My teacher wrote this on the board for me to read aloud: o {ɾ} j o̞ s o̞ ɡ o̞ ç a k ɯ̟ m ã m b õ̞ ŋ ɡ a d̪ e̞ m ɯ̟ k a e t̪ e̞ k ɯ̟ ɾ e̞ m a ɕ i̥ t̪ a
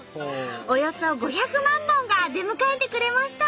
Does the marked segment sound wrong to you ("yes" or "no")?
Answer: yes